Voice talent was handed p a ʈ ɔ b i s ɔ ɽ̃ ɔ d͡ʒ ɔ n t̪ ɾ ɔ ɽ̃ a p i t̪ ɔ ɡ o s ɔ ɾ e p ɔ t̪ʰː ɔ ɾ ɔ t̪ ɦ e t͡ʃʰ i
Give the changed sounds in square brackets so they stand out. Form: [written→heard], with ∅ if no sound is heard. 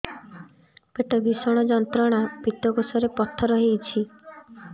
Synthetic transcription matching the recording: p [a→e] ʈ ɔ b i s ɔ ɽ̃ ɔ d͡ʒ ɔ n t̪ ɾ ɔ ɽ̃ a p i t̪ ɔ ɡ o s ɔ ɾ e p ɔ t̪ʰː ɔ ɾ ɔ [t̪→∅] ɦ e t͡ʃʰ i